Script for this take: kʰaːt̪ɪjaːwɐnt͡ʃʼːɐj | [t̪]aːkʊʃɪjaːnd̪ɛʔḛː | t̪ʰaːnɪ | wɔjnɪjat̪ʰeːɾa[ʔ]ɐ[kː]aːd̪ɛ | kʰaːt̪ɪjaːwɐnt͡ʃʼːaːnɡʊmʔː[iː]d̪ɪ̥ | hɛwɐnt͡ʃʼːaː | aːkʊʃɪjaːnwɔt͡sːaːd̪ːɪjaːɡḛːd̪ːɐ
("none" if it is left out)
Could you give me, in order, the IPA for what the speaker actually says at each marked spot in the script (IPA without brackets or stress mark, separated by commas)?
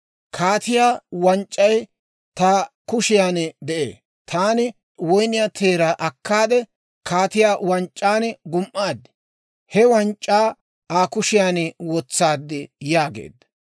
t̪, ʔ, kː, aː